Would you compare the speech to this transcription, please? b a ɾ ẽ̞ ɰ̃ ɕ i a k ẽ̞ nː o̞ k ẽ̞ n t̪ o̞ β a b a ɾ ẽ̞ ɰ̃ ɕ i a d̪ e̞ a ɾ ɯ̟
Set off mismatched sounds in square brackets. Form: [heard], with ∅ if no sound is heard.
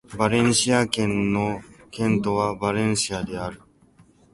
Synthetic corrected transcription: b a ɾ ẽ̞ ɰ̃ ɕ i a k ẽ̞ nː o̞ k ẽ̞ n t̪ o̞ β a b a ɾ ẽ̞ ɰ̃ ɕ i a d̪ e̞ a ɾ ɯ̟